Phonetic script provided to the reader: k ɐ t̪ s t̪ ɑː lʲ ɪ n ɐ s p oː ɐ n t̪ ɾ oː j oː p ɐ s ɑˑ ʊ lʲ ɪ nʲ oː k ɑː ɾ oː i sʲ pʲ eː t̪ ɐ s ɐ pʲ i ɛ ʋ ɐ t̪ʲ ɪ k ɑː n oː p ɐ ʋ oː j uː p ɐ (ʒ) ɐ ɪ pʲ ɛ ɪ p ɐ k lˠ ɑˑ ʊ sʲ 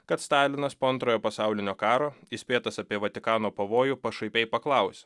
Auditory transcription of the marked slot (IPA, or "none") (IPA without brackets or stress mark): ʃ